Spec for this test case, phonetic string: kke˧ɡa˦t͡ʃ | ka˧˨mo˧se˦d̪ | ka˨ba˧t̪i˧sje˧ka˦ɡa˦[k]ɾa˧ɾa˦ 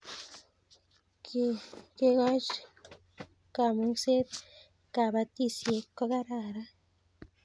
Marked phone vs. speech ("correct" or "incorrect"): incorrect